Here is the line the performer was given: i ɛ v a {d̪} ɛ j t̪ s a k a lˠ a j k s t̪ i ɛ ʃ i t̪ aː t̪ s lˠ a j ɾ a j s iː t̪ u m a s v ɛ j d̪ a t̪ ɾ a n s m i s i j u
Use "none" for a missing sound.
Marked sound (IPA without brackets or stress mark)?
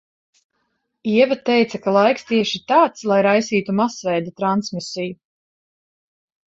t̪